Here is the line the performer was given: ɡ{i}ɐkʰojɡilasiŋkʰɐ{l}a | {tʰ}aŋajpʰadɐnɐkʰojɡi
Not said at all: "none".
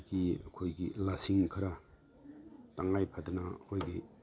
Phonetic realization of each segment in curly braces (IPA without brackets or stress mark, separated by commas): i, ɾ, t